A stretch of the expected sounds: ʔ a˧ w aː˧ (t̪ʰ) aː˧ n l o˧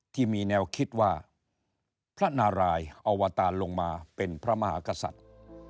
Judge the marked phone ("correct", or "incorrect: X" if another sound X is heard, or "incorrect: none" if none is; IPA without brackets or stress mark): incorrect: t̪